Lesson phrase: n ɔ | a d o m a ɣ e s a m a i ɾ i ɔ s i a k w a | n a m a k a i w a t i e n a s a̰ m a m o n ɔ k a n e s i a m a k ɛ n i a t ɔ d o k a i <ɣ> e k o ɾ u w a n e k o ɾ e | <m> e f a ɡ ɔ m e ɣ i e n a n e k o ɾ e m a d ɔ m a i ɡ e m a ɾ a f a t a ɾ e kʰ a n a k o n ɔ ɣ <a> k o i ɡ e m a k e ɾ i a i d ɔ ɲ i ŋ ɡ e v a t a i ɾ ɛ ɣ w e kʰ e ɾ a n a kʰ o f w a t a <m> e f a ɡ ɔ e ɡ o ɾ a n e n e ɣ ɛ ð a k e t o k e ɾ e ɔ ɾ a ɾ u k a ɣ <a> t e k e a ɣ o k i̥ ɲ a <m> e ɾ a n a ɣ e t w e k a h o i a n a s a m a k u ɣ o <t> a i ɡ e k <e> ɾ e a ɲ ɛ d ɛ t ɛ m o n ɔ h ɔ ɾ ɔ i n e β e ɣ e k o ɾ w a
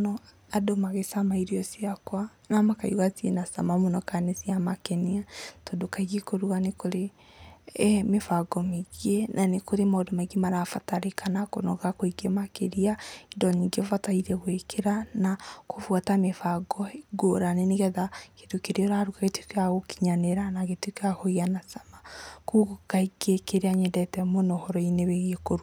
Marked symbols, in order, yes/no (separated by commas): yes, yes, yes, yes, no, no, no, yes